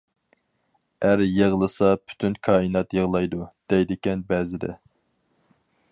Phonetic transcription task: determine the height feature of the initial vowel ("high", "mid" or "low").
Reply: low